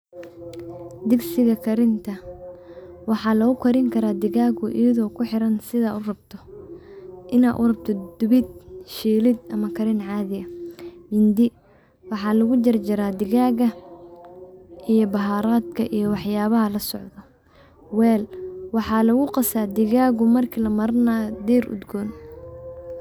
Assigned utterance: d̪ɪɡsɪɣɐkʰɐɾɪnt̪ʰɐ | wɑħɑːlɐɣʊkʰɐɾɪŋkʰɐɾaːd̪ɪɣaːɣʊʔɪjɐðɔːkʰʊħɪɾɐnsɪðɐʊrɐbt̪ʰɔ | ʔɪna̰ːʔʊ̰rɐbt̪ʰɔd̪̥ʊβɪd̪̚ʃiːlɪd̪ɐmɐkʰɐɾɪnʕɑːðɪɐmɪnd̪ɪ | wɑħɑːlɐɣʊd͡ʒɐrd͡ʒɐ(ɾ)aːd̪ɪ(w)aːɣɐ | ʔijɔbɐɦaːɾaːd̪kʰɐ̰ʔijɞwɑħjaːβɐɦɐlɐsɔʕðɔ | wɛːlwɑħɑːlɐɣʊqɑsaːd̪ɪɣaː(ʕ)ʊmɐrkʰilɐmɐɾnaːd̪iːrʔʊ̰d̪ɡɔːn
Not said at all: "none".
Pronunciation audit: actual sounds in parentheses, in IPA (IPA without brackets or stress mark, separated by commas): ɾ, ɣ, ɣ